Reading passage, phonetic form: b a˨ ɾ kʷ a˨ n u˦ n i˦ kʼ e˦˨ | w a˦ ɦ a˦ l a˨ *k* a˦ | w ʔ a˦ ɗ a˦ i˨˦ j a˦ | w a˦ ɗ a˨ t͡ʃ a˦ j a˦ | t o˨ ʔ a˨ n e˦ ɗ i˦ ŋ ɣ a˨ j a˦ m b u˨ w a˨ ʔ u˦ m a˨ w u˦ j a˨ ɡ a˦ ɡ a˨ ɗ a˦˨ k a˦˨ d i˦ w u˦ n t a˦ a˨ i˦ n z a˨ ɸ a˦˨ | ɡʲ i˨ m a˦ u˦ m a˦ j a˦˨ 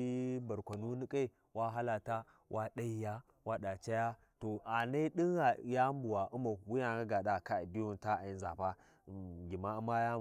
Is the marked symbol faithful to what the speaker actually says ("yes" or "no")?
no